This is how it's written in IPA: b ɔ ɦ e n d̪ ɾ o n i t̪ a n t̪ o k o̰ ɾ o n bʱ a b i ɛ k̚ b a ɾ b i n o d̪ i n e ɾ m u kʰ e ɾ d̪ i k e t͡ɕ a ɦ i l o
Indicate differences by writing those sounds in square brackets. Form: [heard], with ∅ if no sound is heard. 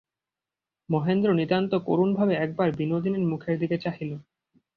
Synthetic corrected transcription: [m] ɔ ɦ e n d̪ ɾ o n i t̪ a n t̪ o k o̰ ɾ [u] n bʱ a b [e] ɛ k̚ b a ɾ b i n o d̪ i n e ɾ m u kʰ e ɾ d̪ i k e t͡ɕ a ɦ i l o